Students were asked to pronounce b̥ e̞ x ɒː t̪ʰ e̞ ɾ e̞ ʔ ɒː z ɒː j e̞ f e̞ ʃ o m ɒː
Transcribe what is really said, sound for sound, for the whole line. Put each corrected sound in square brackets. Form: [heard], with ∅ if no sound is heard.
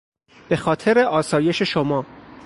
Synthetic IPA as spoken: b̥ e̞ x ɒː t̪ʰ e̞ ɾ e̞ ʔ ɒː [s] ɒː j e̞ [ʃ] e̞ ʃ o m ɒː